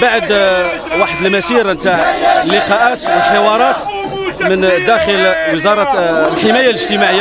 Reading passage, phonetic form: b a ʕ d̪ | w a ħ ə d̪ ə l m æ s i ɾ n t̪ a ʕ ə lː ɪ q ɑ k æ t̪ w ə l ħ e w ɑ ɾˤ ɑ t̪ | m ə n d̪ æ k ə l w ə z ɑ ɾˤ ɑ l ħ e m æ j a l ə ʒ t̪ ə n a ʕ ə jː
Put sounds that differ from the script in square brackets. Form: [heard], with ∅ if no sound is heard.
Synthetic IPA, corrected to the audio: b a ʕ d̪ | w a ħ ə d̪ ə l m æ s i ɾ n t̪ a ʕ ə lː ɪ q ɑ [ʔ] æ t̪ w ə l ħ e w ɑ ɾˤ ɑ t̪ | m ə n d̪ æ [x] ə l w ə z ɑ ɾˤ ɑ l ħ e m æ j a l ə ʒ t̪ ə [m] a ʕ ə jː